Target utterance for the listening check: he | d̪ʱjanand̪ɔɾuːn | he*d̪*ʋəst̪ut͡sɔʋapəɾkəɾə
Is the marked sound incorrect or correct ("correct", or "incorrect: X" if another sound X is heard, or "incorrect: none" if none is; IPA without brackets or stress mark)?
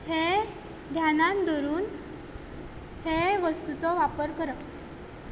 incorrect: none